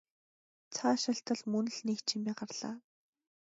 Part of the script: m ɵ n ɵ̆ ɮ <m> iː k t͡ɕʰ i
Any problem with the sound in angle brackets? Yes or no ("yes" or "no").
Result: yes